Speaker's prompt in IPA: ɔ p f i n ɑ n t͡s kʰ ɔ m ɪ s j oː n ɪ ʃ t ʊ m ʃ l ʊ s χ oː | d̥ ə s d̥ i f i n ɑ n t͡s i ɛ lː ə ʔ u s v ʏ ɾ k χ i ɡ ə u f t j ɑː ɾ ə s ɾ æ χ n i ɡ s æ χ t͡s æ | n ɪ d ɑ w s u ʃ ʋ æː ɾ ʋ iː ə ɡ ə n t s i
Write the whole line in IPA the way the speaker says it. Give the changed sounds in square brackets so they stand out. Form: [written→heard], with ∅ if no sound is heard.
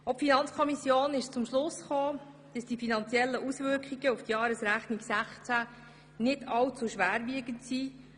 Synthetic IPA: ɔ p f i n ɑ n t͡s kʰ ɔ m [ɪ→i] s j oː n ɪ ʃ [t→t͡s] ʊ m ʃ l ʊ s χ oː | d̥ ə s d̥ i f i n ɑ n t͡s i ɛ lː ə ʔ u s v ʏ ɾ k χ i ɡ ə u f t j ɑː ɾ ə s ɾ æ χ n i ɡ s æ χ t͡s æ | n ɪ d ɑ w [s→t͡s] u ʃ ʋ æː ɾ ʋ [iː→i] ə ɡ ə n t s i

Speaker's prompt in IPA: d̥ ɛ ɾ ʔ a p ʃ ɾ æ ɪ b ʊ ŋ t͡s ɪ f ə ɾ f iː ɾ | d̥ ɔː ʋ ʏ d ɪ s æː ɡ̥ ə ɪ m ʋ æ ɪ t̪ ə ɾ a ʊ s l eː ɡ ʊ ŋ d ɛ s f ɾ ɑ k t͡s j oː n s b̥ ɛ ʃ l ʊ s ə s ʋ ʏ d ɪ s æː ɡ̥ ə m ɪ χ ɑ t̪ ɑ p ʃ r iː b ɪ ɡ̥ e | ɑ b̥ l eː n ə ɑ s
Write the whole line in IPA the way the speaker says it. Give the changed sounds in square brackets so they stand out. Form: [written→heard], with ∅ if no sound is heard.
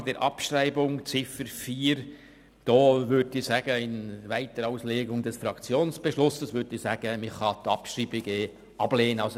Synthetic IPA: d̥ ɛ ɾ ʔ [a→ɑ] p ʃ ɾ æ ɪ b ʊ ŋ t͡s ɪ f ə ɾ f iː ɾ | d̥ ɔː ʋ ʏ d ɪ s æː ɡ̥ ə ɪ [m→n] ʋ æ ɪ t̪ ə ɾ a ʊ s l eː ɡ ʊ ŋ d ɛ s f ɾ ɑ k t͡s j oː n s b̥ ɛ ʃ l ʊ s ə s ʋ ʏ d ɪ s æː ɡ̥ ə m ɪ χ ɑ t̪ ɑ p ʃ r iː b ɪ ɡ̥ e | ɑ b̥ l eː n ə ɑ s

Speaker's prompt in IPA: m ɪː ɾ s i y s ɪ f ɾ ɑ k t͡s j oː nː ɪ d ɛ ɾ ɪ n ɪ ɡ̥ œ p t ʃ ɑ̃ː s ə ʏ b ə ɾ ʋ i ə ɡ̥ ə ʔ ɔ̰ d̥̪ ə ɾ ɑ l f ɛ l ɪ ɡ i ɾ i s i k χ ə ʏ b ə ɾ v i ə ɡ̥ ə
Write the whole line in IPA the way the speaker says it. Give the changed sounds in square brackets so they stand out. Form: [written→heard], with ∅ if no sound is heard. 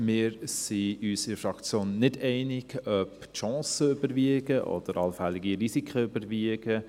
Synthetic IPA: m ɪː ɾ s i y s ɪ f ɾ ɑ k t͡s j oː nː ɪ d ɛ [ɾ→∅] ɪ n ɪ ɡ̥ œ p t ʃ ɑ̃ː s ə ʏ b ə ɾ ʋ i ə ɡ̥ ə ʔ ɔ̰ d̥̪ ə ɾ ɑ l f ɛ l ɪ ɡ i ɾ i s i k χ ə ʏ b ə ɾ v i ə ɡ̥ ə

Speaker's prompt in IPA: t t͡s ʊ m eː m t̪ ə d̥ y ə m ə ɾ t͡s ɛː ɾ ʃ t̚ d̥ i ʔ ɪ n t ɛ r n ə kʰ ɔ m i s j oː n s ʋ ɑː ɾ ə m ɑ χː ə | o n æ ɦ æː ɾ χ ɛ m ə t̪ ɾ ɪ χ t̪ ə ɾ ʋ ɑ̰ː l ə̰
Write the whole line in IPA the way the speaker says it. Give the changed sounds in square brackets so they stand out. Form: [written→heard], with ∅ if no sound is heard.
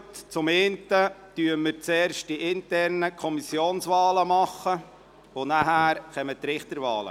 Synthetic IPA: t t͡s ʊ m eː [m→n] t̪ ə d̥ y ə m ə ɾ t͡s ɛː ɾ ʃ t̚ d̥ i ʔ ɪ n t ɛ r n ə kʰ ɔ m i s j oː n s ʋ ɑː [ɾ→l] ə m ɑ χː ə | o n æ ɦ æː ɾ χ ɛ m ə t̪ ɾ ɪ χ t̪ ə ɾ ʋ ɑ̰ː l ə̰

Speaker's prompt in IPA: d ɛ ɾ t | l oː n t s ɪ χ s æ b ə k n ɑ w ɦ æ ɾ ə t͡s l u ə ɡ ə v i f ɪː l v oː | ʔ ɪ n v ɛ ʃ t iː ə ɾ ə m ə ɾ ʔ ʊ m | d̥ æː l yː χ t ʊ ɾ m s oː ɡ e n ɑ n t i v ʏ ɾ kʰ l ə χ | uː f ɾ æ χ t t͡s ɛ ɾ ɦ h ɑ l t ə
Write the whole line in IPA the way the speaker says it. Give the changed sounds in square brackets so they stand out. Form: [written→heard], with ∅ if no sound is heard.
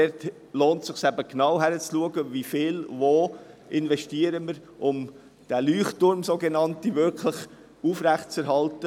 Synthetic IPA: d ɛ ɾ t | l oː n t s ɪ χ s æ b ə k n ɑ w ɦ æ ɾ ə t͡s l u ə ɡ ə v i f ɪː l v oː | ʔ ɪ n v ɛ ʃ t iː ə ɾ ə m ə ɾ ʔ ʊ m | d̥ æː l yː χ t ʊ ɾ m s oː ɡ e n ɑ n t i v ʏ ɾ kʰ l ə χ | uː f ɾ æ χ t t͡s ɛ ɾ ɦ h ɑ l t ə

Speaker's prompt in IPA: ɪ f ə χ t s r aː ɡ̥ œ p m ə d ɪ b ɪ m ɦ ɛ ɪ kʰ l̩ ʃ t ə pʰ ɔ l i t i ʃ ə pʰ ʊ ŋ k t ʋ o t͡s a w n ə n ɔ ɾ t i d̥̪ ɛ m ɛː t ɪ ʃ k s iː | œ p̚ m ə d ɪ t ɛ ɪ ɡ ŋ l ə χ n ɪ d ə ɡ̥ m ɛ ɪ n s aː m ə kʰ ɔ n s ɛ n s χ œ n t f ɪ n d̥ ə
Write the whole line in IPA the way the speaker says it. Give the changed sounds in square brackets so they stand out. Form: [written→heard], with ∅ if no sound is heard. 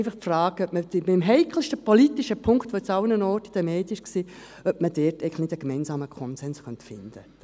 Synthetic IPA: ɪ f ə χ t [s→f] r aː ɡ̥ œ p m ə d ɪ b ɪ m ɦ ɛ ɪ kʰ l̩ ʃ t ə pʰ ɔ l i t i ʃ ə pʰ ʊ ŋ k t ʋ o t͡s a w n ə n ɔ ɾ t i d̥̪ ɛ m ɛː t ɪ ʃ k s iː | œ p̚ m ə d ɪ t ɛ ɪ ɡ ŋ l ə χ n ɪ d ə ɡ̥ m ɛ ɪ n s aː m ə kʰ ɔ n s ɛ n s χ œ n t f ɪ n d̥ ə

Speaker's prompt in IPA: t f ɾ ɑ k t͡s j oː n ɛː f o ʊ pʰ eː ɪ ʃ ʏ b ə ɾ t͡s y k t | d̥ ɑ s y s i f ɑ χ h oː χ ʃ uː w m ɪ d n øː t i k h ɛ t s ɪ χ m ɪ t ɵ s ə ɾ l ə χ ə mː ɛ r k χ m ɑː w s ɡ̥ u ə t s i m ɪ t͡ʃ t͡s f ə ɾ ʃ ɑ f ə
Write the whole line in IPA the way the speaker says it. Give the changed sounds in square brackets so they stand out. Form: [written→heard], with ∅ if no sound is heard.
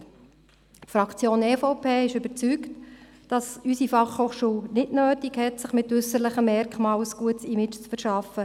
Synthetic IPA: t f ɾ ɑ k t͡s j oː n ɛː f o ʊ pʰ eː ɪ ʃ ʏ b ə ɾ t͡s y k t | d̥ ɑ s y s i f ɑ χ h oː χ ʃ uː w [m→n] ɪ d n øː t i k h ɛ t s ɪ χ m ɪ t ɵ s ə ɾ l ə χ ə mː ɛ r k χ m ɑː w s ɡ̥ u ə t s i m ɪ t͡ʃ t͡s f ə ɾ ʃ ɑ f ə

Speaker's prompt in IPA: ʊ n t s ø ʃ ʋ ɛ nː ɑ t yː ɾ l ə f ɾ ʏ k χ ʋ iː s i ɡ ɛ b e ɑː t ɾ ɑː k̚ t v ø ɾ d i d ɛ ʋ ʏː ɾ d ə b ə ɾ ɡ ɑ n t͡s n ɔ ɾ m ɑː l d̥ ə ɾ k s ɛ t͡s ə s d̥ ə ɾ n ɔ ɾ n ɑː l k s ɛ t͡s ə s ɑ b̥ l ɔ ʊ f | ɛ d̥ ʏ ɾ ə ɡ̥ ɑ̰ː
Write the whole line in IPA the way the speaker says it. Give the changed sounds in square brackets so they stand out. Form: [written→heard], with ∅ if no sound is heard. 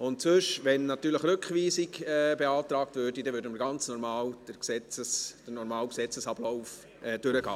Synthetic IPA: ʊ n t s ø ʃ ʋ ɛ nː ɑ t yː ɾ l ə [f→χ] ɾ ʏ k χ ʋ iː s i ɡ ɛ b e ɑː t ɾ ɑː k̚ t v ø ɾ d i d ɛ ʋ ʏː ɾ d ə [b→m] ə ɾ ɡ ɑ n t͡s n ɔ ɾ m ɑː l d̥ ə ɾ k s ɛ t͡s ə s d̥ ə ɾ n ɔ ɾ [n→m] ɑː l k s ɛ t͡s ə s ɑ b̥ l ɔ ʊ f | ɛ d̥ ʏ ɾ ə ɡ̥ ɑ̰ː

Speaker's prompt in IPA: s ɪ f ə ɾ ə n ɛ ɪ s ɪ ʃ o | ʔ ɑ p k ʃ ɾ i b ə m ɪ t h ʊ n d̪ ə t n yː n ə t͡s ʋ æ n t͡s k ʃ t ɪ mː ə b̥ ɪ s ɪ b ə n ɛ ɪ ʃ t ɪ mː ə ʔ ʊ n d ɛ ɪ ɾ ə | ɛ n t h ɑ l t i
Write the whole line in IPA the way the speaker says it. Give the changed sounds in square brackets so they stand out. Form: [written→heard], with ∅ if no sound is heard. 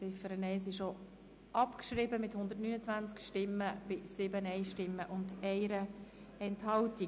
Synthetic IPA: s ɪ f ə ɾ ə n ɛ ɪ s ɪ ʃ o | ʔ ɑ p k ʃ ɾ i b ə m ɪ t h ʊ n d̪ ə t n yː n ə t͡s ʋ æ n t͡s k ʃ t ɪ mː ə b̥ ɪ s ɪ b ə n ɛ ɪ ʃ t ɪ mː ə ʔ ʊ n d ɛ ɪ ɾ ə | ɛ n t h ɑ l t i

